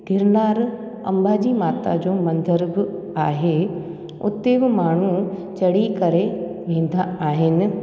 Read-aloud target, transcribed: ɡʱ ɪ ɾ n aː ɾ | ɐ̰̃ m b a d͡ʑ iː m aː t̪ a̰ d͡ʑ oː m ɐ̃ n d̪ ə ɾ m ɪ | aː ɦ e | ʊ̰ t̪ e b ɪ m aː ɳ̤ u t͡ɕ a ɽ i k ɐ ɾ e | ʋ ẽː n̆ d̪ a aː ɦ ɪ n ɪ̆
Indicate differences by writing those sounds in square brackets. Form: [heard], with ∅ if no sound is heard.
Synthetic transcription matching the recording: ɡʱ ɪ ɾ n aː ɾ | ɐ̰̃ m b a d͡ʑ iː m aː t̪ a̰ d͡ʑ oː m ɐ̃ n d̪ ə ɾ [b] ɪ | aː ɦ e | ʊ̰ t̪ e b ɪ m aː ɳ̤ u t͡ɕ [ɐ] ɽ i k ɐ ɾ e | ʋ ẽː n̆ d̪ a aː ɦ ɪ n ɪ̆